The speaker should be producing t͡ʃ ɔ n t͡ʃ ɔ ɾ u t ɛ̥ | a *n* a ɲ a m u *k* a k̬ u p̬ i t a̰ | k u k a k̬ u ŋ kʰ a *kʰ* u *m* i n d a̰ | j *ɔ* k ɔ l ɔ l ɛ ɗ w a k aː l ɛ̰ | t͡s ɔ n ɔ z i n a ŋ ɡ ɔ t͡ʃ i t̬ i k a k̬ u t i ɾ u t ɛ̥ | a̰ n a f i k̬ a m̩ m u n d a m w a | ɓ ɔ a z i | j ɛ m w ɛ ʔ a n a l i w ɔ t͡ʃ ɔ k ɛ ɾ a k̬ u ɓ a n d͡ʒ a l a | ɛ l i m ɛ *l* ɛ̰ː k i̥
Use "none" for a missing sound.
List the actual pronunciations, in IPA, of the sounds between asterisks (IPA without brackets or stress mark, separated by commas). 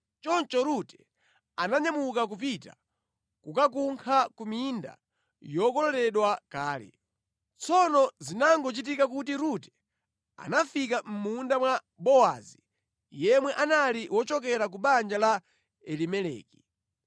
n, k, k, m, ɔ, l